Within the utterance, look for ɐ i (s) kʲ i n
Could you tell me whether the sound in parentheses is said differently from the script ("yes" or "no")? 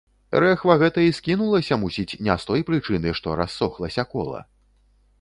no